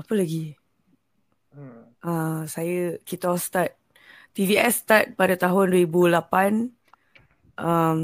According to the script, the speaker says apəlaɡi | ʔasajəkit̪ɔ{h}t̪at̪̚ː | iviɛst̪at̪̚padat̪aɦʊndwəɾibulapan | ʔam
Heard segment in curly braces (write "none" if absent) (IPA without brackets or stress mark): s